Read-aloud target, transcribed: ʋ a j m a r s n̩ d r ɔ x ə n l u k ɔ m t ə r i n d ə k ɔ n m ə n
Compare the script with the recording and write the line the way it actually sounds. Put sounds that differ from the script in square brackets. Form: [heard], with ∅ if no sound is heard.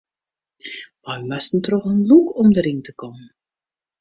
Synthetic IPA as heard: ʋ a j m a [∅] s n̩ [t] r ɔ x ə n l u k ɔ m [d] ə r i n [t] ə k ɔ [∅] m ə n